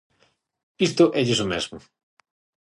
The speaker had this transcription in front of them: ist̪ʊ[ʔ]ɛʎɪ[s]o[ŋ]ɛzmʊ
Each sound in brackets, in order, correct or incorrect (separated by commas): correct, correct, incorrect